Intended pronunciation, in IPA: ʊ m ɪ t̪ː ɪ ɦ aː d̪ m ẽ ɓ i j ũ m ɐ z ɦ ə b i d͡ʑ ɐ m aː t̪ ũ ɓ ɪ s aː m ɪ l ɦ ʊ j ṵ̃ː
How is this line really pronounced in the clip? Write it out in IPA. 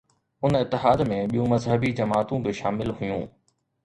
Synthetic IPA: ʊ n ɪ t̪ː ɪ ɦ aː d̪ m ẽ ɓ i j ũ m ɐ z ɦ ə b i d͡ʑ ɐ m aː t̪ ũ b ɪ ʃ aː m ɪ l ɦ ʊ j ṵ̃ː